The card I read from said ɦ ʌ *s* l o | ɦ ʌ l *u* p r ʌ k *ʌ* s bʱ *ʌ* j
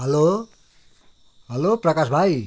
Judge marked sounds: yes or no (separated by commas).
no, no, no, no